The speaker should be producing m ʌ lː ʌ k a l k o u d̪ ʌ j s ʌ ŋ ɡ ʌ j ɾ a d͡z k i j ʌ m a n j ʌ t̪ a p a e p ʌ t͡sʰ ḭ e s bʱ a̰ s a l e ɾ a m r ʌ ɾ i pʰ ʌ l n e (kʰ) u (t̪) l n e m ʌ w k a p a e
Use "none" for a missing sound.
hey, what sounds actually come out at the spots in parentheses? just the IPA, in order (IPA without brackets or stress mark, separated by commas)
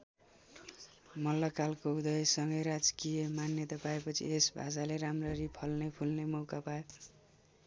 pʰ, none